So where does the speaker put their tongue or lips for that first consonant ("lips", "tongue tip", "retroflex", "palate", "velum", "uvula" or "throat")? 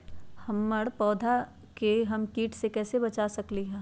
throat